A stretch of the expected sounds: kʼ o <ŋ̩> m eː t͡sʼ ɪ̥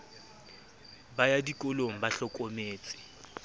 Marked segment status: incorrect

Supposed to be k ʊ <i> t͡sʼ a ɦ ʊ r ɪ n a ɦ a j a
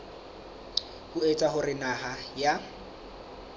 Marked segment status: incorrect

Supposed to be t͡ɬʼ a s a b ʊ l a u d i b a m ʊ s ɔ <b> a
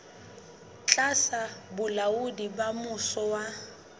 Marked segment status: incorrect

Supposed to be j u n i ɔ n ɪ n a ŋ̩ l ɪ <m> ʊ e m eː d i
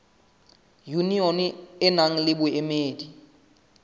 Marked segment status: incorrect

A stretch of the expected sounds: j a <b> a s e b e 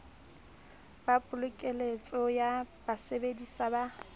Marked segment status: correct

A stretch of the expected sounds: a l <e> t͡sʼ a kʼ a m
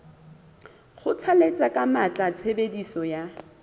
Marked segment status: correct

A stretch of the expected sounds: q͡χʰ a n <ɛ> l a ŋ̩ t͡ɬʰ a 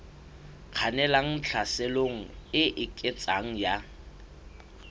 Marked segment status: correct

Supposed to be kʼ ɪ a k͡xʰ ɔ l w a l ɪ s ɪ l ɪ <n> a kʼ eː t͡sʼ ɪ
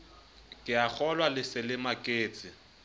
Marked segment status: incorrect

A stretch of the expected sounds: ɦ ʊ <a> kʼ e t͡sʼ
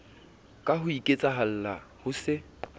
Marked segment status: incorrect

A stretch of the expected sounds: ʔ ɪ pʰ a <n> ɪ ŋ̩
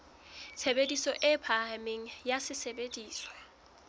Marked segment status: incorrect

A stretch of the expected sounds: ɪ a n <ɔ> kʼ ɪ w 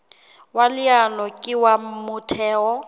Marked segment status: correct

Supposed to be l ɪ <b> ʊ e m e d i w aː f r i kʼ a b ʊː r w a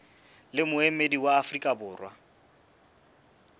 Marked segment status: incorrect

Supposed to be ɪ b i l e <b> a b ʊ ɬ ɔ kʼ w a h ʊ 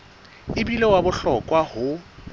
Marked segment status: incorrect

